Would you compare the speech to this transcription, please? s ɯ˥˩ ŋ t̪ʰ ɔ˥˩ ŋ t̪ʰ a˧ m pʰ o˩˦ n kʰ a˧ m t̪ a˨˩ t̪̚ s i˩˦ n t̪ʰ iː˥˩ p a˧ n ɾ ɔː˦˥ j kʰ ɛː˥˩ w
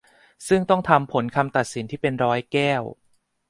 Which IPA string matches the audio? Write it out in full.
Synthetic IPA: s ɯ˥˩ ŋ t̪ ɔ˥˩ ŋ t̪ʰ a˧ m pʰ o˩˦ n kʰ a˧ m t̪ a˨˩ t̪̚ s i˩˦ n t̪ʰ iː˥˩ p e˧ n ɾ ɔː˦˥ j k ɛː˥˩ w